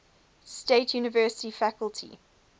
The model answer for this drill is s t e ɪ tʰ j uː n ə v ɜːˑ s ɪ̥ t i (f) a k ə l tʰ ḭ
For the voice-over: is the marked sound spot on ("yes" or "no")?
yes